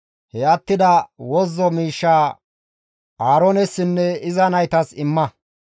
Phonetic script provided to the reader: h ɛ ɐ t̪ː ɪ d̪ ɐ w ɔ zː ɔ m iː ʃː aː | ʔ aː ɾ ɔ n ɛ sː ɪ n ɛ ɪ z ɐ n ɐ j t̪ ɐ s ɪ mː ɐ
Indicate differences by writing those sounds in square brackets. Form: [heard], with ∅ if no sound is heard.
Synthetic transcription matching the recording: h ɛ ɐ t̪ː ɪ d̪ ɐ w ɔ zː ɔ m iː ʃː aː | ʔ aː ɾ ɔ n ɛ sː ɪ [nː] ɛ ɪ z ɐ n ɐ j t̪ ɐ s ɪ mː ɐ